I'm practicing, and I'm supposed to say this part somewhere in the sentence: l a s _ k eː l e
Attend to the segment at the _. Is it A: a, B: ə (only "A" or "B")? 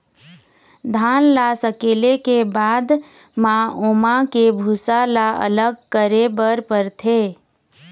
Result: B